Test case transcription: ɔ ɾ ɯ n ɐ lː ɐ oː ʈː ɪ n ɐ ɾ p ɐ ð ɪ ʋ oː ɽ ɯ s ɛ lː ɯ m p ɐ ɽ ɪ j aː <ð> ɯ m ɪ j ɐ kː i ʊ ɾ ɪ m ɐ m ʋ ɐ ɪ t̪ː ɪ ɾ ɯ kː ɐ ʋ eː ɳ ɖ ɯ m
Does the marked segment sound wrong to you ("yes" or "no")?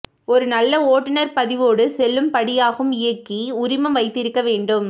yes